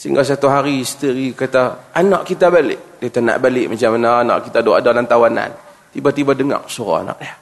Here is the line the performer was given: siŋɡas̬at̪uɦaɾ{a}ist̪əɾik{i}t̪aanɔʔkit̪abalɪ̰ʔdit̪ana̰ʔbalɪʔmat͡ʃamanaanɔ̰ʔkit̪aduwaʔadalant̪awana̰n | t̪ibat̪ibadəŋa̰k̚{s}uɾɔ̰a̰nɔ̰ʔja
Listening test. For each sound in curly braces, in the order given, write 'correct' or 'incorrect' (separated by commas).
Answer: incorrect, incorrect, correct